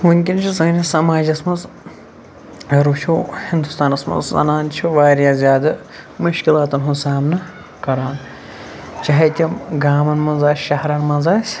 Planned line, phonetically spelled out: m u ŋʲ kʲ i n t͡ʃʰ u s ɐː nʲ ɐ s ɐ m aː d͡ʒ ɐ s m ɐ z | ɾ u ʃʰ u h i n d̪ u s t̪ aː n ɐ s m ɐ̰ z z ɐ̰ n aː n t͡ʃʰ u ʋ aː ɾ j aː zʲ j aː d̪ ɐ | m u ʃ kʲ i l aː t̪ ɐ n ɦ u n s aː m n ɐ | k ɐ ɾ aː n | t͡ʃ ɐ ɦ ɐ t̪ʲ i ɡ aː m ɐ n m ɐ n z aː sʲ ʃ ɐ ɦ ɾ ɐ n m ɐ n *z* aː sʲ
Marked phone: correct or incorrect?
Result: correct